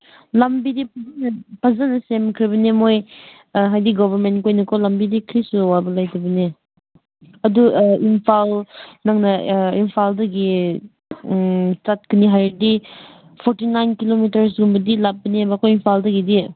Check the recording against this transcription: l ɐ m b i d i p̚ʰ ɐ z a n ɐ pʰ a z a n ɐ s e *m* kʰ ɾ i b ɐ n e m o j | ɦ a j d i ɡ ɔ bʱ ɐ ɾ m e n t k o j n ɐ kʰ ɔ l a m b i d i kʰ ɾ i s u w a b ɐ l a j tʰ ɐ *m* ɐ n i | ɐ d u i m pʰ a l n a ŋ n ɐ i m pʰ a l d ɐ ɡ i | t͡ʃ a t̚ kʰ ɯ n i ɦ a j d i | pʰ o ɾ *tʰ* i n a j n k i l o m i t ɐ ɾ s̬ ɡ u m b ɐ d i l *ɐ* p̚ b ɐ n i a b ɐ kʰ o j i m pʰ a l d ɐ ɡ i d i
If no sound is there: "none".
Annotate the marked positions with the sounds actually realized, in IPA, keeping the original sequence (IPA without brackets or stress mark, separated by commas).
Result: m, b, t, a